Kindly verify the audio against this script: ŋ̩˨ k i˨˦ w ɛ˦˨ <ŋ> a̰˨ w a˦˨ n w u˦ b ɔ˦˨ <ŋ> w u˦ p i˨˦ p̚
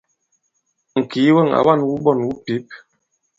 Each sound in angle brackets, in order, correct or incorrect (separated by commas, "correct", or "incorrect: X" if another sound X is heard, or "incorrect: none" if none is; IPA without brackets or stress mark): correct, incorrect: n